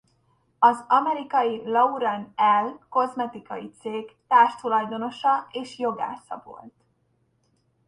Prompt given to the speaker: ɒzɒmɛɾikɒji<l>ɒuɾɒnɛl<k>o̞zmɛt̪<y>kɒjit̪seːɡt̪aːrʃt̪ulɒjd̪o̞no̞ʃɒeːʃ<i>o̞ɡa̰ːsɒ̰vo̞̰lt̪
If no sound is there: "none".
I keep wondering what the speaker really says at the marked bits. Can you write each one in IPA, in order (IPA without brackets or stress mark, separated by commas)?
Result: l, k, i, j